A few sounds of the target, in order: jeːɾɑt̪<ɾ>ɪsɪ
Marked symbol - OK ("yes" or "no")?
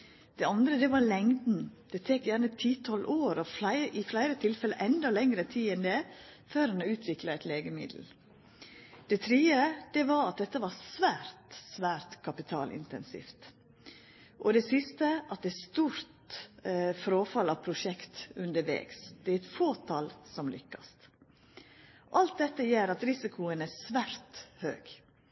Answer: yes